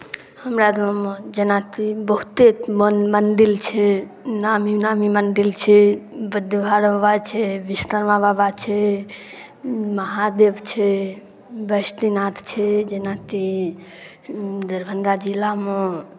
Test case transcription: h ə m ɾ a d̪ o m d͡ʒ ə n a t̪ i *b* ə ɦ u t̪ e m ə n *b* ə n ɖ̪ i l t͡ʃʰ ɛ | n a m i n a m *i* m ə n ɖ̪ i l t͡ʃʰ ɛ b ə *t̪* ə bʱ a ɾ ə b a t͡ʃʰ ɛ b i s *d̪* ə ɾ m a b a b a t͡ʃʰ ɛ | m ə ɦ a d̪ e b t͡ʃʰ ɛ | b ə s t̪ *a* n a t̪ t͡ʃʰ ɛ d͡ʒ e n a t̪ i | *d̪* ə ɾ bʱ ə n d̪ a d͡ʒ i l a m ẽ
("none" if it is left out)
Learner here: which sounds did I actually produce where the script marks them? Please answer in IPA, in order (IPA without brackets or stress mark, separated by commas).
b, m, i, d̪, t̪, i, d̪